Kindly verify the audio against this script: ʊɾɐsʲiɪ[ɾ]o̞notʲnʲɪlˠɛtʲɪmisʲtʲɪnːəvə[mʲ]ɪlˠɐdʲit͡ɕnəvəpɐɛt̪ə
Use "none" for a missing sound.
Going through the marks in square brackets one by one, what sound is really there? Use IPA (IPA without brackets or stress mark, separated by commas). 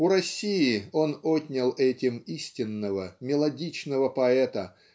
none, mʲ